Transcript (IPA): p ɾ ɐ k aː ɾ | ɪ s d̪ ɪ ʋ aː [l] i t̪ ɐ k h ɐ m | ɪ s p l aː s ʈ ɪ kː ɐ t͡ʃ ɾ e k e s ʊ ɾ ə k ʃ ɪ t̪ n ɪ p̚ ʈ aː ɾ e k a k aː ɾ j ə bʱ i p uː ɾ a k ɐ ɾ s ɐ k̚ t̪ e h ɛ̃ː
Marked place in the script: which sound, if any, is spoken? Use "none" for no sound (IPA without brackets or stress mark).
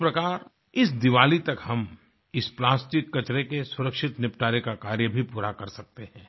l